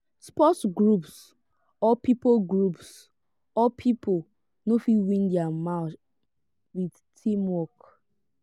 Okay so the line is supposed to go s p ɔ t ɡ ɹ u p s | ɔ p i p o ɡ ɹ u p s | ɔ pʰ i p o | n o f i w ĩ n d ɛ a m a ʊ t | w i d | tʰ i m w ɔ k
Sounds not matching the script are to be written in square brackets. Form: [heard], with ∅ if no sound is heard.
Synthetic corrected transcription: s p ɔ t ɡ ɹ u p s | ɔ p i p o ɡ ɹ u p s | ɔ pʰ i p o | n o f i w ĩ n d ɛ a m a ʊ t | w i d | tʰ i m w ɔ k